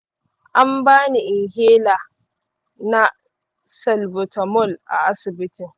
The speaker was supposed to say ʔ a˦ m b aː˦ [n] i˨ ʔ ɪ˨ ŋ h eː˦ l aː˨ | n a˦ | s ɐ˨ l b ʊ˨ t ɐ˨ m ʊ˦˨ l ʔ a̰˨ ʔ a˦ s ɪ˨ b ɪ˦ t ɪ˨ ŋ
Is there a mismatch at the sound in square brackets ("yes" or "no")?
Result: no